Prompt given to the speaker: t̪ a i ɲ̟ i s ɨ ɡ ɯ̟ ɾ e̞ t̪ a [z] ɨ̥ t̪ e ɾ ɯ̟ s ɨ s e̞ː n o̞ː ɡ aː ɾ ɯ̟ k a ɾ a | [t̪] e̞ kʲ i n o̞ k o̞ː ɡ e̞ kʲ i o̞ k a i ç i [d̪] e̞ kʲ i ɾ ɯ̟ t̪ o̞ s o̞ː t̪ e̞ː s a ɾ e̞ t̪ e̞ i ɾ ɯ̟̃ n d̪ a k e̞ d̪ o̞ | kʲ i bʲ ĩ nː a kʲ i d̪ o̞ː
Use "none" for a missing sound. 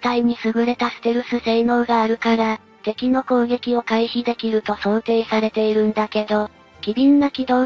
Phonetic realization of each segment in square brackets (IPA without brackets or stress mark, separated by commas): s, t̪, d̪